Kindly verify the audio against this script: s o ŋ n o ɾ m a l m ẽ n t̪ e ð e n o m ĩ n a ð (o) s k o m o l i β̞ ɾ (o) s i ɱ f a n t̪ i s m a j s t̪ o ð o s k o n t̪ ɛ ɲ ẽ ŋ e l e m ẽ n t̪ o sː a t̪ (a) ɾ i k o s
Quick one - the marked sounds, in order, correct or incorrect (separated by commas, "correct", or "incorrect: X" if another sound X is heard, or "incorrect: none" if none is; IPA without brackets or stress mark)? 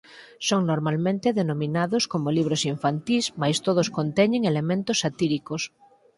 correct, correct, incorrect: i